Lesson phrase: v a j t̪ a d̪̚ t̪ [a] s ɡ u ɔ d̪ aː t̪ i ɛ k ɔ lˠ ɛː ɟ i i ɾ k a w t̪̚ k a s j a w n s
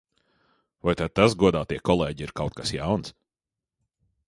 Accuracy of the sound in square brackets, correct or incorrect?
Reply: correct